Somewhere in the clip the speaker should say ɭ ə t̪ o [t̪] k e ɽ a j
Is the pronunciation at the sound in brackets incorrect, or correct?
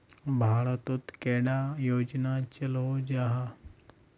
correct